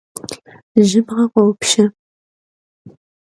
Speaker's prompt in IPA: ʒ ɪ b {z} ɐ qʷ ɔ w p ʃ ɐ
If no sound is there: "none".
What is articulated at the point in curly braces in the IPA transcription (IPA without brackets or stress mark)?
ʁ